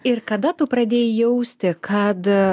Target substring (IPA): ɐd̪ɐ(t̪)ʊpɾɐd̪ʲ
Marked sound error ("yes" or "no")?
no